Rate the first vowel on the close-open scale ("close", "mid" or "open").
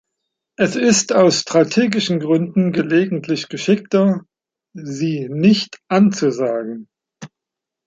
mid